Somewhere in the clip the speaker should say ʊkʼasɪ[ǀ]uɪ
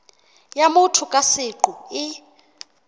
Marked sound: incorrect: ǃ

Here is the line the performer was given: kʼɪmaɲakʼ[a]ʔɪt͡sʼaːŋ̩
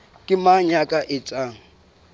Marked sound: correct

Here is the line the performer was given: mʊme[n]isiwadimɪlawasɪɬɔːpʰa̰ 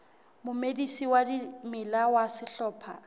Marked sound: incorrect: d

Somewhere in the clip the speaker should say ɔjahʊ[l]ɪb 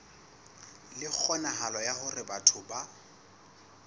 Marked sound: incorrect: r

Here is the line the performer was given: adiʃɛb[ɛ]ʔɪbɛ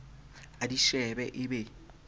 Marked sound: correct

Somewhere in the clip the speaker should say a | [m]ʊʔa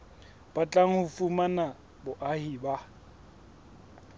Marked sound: incorrect: b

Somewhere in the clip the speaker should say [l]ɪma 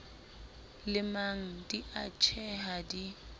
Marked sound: correct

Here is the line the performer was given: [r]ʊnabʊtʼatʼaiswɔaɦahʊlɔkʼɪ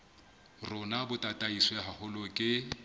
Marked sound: correct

